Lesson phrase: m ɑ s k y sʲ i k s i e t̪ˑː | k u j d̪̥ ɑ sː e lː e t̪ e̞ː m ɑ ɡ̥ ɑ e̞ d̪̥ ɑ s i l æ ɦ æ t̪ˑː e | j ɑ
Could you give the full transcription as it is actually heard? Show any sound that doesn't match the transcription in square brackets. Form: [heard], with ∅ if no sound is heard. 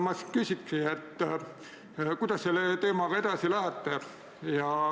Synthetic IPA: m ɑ s k y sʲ i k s i e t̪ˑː | k u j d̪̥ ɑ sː e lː e t̪ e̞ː m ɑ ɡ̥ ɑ e̞ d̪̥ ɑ s i l æ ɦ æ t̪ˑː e | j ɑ

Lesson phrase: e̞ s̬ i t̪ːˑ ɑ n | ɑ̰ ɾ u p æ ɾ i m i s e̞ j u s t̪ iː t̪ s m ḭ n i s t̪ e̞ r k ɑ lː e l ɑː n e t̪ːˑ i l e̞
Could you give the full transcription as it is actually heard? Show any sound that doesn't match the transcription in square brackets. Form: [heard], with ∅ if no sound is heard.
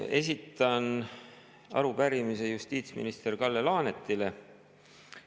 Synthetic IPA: e̞ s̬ i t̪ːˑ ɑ n | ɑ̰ ɾ u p æ ɾ i m i s e̞ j u s t̪ iː t̪ s m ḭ n i s t̪ e̞ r k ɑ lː e l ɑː n e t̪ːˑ i l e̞

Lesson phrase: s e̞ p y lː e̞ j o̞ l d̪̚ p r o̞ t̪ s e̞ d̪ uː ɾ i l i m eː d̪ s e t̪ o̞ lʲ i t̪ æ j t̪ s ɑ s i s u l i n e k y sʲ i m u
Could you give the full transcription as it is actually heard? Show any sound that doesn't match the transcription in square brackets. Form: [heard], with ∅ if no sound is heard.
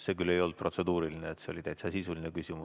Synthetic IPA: s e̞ [k] y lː e̞ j o̞ l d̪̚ p r o̞ t̪ s e̞ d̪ uː ɾ i l i [n] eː [t̪] s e [∅] o̞ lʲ i t̪ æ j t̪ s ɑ s i s u l i n e k y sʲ i m u

